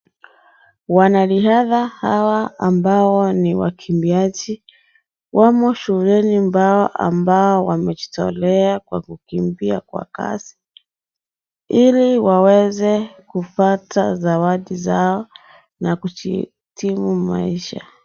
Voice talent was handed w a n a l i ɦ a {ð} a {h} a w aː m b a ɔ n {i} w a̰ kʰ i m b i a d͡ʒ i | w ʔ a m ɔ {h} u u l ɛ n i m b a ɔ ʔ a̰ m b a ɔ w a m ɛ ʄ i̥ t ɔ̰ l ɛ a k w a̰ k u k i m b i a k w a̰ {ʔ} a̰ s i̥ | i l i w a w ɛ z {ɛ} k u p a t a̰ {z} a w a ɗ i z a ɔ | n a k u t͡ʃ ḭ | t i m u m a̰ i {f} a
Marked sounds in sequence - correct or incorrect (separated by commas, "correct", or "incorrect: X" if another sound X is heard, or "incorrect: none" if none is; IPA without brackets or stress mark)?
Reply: correct, correct, correct, incorrect: ʃ, incorrect: k, correct, correct, incorrect: ʃ